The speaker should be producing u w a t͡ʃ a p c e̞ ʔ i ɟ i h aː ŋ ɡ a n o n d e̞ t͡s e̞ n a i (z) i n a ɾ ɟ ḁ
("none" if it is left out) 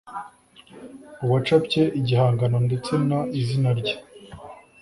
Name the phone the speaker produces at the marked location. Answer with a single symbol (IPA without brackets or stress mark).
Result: z